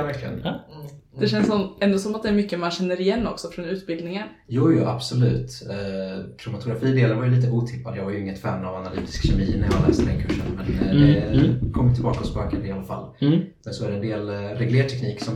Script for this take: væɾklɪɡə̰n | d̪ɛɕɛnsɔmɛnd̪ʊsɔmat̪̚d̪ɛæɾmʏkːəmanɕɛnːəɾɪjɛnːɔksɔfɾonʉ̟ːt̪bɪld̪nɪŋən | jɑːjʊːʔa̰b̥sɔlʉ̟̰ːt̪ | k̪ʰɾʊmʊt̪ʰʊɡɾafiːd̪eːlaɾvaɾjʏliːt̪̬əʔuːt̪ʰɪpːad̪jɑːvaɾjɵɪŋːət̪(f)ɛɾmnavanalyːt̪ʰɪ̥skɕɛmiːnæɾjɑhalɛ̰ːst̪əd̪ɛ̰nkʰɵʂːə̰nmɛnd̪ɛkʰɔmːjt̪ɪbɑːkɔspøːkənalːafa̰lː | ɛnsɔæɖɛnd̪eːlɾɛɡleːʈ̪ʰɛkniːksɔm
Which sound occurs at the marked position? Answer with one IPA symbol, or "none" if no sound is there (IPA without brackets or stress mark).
f